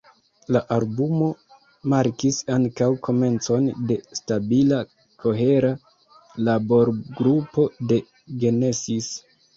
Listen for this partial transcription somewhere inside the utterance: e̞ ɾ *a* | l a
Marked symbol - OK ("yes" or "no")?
yes